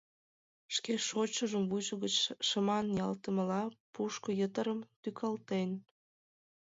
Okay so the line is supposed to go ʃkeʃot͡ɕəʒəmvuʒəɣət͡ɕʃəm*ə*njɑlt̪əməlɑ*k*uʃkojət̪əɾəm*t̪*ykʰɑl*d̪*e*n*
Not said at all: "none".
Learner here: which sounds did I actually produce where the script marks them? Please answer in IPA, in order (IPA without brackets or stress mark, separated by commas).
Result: ɑ, p, t̪, t̪, n